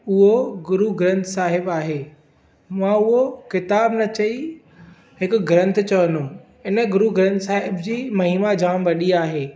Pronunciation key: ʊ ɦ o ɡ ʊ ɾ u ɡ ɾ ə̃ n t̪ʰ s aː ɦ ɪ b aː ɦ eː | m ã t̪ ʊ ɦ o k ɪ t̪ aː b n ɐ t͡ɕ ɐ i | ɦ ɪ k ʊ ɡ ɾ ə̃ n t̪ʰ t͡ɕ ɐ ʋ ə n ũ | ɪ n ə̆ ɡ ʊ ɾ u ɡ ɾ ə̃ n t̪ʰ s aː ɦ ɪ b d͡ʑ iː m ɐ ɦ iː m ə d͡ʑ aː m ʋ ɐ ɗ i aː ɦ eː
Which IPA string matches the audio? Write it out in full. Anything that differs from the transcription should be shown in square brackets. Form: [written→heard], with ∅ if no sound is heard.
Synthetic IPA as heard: ʊ ɦ o ɡ ʊ ɾ u ɡ ɾ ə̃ n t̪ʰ s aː ɦ ɪ b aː ɦ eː | m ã [t̪→∅] ʊ ɦ o k ɪ t̪ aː b n ɐ t͡ɕ ɐ i | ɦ ɪ k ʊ ɡ ɾ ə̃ n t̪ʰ t͡ɕ ɐ ʋ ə n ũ | ɪ n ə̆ ɡ ʊ ɾ u ɡ ɾ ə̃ n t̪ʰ s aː ɦ ɪ b d͡ʑ iː m ɐ ɦ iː m [ə→a] d͡ʑ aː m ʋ ɐ ɗ i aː ɦ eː